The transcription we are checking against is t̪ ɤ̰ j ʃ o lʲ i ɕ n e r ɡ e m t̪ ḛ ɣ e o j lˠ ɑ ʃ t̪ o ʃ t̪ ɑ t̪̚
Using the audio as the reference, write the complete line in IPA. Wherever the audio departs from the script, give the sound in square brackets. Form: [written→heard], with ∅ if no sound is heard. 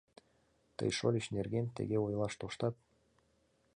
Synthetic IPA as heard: t̪ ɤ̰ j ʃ o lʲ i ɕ n e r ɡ e [m→n] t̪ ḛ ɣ e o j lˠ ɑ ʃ t̪ o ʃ t̪ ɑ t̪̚

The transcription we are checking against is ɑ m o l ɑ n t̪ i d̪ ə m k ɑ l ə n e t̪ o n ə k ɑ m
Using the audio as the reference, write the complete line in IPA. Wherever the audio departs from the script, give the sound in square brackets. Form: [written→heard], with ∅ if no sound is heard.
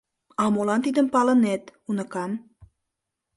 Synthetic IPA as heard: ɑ m o l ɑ n t̪ i d̪ ə m [k→p] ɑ l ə n e t̪ [o→u] n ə k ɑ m

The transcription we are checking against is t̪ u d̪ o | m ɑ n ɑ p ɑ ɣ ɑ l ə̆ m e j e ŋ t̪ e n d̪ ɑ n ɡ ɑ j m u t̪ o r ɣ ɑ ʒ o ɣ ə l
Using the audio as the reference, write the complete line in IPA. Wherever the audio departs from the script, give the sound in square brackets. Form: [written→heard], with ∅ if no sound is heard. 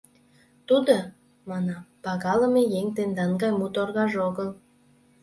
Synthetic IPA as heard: t̪ u d̪ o | m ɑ n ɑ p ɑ ɣ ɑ l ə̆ m e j e ŋ t̪ e n d̪ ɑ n ɡ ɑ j m u t̪ o r ɣ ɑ ʒ o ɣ ə l

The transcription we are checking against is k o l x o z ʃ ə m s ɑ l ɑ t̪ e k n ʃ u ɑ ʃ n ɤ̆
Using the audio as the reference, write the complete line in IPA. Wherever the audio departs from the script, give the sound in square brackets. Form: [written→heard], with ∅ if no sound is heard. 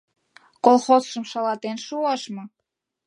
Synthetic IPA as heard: k o l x o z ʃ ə m [s→ʃ] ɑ l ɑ t̪ e [k→∅] n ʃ u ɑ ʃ [n→m] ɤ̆

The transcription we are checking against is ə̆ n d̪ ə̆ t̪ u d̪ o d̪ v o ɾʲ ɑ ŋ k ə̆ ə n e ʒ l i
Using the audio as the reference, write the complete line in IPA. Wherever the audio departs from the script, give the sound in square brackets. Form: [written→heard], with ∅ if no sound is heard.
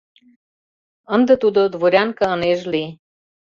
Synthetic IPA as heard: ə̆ n d̪ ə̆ t̪ u d̪ o d̪ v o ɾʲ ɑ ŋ k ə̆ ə n e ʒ l i

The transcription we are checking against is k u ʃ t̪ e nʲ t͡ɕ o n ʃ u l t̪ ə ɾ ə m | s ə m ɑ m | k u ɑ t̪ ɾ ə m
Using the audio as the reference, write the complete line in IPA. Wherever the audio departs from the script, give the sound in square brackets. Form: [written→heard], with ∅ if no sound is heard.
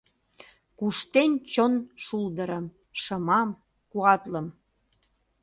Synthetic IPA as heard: k u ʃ t̪ e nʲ t͡ɕ o n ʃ u l [t̪→d̪] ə ɾ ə m | [s→ʃ] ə m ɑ m | k u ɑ t̪ [ɾ→l] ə m

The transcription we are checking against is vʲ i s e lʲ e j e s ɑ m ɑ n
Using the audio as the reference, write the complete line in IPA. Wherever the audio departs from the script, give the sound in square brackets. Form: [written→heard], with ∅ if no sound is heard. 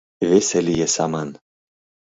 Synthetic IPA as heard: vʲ [i→e] s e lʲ [e→i] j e s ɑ m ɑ n

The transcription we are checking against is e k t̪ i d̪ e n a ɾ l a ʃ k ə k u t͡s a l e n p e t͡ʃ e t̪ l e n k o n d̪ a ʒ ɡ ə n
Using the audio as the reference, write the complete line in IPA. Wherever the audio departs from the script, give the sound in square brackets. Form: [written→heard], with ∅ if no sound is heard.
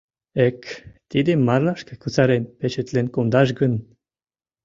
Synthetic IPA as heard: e k t̪ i d̪ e [n→m] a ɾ l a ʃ k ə k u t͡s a [l→ɾ] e n p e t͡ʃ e t̪ l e n k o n d̪ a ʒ ɡ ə n

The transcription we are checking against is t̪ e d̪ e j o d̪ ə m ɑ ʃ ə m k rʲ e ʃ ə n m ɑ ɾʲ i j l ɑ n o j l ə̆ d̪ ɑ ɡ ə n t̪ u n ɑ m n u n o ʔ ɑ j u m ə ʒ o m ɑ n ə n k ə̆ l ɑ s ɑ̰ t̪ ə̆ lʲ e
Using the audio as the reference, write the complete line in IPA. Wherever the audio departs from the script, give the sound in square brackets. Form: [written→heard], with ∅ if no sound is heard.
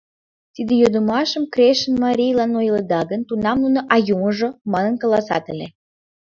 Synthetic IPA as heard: t̪ [e→i] d̪ e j o d̪ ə m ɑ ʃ ə m k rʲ e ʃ ə n m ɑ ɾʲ i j l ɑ n o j l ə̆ d̪ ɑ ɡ ə n t̪ u n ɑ m n u n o ʔ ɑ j u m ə ʒ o m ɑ n ə n k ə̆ l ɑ s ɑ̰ t̪ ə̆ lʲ e

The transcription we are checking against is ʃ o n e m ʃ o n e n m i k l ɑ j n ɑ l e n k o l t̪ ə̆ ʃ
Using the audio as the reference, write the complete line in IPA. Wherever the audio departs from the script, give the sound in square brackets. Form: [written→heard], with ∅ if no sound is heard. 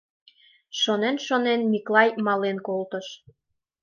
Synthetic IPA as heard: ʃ o n e [m→n] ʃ o n e n m i k l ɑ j [n→m] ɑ l e n k o l t̪ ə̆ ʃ

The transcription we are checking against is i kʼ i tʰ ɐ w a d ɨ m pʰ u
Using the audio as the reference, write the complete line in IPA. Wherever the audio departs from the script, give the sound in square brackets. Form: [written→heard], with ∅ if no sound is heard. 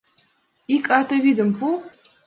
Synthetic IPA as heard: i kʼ [i→a] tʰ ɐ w [a→i] d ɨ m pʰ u

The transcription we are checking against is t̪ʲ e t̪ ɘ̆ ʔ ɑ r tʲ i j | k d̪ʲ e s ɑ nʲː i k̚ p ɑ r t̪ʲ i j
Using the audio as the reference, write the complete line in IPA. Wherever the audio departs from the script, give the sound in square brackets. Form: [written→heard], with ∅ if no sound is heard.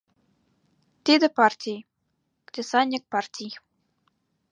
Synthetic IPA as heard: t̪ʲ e [t̪→d̪] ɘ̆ [ʔ→p] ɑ r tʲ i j | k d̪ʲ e s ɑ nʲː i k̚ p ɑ r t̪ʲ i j

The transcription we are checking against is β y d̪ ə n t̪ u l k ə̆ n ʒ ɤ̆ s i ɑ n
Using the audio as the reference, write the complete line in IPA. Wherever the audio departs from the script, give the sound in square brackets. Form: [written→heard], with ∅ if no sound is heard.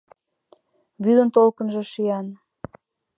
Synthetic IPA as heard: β y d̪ ə n t̪ [u→o] l k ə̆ n ʒ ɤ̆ [s→ʃ] i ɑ n

